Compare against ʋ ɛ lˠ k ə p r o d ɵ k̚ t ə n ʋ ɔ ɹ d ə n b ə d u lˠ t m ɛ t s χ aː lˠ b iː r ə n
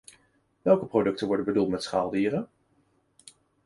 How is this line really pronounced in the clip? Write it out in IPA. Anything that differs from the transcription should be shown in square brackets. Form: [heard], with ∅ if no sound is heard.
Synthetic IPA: ʋ ɛ lˠ k ə p r o d ɵ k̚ t ə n ʋ ɔ ɹ d ə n b ə d u lˠ t m ɛ t s χ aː lˠ [d] iː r ə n